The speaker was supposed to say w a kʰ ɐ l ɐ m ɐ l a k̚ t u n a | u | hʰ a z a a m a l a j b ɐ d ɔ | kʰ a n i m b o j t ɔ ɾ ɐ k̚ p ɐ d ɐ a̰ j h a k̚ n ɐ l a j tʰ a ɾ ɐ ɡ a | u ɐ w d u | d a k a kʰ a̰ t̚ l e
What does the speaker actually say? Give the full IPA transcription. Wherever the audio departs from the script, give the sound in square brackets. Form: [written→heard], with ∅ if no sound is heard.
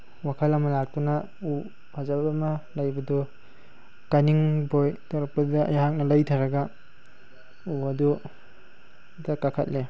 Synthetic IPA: w a kʰ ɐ l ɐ m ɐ l a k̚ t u n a | u | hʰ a z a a m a l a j b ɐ d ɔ | [kʰ→k] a n i [m→ŋ] b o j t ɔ ɾ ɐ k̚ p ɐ d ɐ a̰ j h a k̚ n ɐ l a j tʰ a ɾ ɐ ɡ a | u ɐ [w→∅] d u | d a k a kʰ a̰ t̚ l e